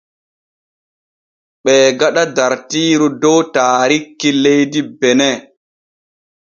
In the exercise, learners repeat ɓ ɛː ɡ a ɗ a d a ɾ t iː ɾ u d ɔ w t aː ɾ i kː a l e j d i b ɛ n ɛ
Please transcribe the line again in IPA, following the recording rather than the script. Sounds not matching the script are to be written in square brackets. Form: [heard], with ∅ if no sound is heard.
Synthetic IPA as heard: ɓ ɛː ɡ a ɗ a d a ɾ t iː ɾ u d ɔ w t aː ɾ i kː [i] l e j d i b ɛ n ɛ